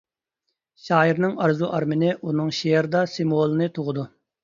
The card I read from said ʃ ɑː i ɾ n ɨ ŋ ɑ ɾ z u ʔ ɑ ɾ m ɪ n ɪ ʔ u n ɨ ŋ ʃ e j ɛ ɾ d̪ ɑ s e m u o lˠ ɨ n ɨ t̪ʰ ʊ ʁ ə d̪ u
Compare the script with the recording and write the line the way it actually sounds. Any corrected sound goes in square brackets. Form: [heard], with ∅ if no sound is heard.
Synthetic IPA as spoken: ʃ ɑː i ɾ n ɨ ŋ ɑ ɾ z u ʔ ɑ ɾ m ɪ n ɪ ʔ u n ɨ ŋ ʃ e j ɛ ɾ d̪ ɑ s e m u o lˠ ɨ n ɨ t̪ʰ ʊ ʁ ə d̪ u